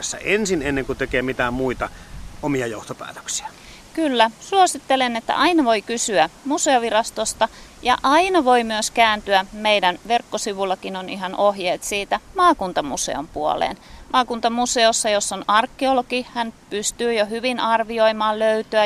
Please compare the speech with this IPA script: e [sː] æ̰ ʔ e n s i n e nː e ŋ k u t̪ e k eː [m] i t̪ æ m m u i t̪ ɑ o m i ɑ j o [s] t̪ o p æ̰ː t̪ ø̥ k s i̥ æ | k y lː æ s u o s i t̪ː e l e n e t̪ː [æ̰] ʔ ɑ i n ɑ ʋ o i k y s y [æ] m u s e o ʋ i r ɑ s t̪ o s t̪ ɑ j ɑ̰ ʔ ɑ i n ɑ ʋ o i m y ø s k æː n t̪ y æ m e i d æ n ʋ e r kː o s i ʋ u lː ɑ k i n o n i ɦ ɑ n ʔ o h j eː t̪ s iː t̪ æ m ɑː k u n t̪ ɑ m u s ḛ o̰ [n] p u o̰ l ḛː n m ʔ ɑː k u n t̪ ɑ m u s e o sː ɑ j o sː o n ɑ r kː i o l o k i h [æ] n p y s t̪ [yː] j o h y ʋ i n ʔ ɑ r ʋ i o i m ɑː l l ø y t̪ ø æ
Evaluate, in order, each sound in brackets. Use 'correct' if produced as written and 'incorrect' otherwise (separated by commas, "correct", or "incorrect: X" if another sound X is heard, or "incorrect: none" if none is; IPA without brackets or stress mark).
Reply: correct, correct, incorrect: h, correct, correct, incorrect: m, correct, correct